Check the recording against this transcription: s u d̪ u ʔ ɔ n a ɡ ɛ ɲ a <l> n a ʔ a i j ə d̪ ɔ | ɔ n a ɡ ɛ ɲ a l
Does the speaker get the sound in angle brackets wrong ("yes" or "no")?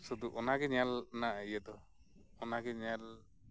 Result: no